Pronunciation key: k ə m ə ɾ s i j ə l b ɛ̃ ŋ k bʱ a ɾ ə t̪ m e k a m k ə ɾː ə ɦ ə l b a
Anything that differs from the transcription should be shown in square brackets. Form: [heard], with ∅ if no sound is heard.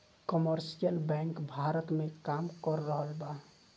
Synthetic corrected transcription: k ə m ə ɾ s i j ə l b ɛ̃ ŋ k bʱ a ɾ ə t̪ m e k a m k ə ɾː ə ɦ ə l b a